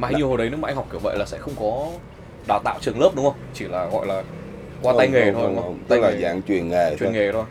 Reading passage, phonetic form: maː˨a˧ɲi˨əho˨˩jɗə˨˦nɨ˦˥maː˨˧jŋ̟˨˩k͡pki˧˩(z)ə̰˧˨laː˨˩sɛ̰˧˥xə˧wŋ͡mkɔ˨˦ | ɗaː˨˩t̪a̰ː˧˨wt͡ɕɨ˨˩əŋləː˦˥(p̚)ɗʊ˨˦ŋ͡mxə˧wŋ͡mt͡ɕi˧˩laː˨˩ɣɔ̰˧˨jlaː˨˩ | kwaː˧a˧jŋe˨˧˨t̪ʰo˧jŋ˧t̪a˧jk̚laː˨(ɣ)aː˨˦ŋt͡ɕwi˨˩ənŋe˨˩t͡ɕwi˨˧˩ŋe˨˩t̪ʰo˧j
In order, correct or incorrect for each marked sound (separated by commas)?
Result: incorrect, correct, incorrect